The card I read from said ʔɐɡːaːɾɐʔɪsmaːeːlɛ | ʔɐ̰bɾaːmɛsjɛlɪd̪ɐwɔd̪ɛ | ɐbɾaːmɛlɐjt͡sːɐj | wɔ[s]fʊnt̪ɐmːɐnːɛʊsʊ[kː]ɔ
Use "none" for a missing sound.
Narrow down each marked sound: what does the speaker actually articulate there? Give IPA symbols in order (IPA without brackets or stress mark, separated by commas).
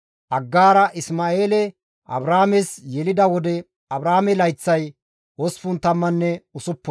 s, pː